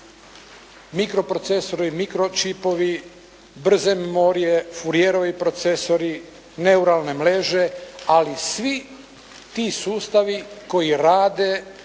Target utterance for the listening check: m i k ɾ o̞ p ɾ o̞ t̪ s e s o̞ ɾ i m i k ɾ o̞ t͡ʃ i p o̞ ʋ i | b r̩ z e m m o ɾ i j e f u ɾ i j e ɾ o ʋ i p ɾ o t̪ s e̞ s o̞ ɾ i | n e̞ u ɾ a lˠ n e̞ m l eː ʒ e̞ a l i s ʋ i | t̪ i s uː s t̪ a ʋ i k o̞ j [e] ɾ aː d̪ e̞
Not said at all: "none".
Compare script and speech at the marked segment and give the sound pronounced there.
i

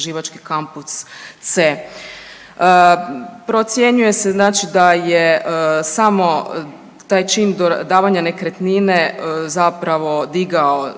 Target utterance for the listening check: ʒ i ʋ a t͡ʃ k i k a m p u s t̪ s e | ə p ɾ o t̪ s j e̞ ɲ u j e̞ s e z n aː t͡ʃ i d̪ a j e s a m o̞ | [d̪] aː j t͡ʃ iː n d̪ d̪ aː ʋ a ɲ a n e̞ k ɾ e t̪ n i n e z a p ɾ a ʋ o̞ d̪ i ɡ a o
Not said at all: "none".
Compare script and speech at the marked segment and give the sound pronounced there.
t̪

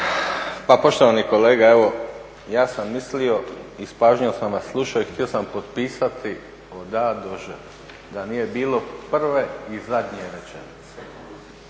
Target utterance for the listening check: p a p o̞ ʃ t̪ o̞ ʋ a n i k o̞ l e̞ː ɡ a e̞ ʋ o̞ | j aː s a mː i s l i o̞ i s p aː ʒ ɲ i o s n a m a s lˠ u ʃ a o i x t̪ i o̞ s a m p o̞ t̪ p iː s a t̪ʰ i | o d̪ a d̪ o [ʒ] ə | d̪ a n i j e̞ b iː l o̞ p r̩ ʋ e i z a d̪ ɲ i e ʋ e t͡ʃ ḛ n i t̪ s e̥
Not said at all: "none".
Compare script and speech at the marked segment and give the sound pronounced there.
ʒ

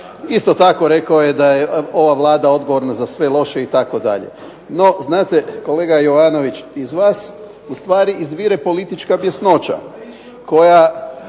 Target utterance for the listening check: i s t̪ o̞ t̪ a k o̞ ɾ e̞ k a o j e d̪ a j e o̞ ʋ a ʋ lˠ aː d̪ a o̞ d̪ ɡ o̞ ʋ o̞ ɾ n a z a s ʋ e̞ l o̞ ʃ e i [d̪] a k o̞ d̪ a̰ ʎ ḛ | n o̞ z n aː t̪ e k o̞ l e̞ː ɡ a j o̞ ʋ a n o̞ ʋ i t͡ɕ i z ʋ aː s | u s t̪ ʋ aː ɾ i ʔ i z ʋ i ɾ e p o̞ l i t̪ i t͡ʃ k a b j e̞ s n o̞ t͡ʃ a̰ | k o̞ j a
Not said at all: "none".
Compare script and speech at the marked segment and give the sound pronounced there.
t̪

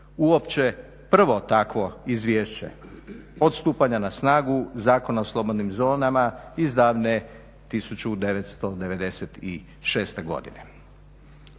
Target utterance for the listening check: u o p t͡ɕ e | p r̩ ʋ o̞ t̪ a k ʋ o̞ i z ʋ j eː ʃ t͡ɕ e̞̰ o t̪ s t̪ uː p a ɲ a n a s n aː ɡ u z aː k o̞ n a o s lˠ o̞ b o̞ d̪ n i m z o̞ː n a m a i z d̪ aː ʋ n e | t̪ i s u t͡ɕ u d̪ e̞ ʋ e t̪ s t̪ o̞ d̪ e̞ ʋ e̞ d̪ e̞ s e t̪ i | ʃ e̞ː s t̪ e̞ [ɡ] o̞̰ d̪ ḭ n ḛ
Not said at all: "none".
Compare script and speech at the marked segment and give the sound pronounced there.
ɡ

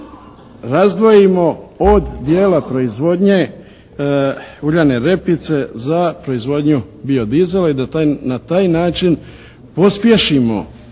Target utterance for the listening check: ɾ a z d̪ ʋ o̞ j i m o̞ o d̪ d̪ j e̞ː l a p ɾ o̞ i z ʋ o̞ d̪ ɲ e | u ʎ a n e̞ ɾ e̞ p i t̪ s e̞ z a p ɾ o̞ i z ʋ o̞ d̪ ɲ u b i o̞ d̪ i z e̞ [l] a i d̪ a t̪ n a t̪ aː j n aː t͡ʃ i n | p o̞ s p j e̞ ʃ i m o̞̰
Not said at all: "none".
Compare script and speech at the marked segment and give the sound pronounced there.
l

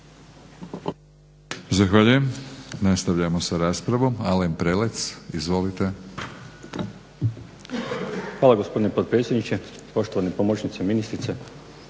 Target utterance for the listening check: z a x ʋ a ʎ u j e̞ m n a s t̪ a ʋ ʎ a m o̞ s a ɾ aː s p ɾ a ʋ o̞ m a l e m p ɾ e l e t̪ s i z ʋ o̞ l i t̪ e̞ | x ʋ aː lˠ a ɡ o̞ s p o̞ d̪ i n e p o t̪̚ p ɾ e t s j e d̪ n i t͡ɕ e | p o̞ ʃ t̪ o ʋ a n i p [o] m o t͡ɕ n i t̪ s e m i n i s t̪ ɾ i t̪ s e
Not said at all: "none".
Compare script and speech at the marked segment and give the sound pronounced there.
o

